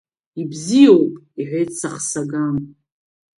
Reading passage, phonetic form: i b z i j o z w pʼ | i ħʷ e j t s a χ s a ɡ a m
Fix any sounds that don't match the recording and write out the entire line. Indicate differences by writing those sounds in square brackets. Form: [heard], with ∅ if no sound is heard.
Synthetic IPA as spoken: i b z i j o [∅] w pʼ | i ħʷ e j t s a χ s a ɡ a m